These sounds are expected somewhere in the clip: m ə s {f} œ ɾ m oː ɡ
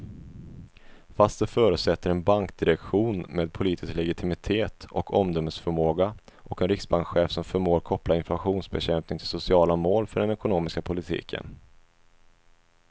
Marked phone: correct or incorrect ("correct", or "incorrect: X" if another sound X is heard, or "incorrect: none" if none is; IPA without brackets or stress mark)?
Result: correct